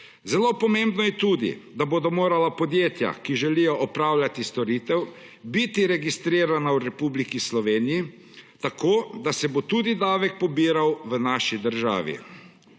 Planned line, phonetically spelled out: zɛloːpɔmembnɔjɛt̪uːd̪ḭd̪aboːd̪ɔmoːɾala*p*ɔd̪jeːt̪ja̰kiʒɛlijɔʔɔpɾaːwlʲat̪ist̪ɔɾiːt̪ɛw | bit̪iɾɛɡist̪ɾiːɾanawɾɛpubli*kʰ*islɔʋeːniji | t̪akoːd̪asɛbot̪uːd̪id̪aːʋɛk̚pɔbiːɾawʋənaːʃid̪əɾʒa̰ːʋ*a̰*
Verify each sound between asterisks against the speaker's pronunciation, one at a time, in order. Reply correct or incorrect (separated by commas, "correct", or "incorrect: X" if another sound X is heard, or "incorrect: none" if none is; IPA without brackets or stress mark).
correct, incorrect: k, incorrect: ḭ